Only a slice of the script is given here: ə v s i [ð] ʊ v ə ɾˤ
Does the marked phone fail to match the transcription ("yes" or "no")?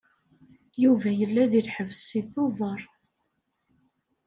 yes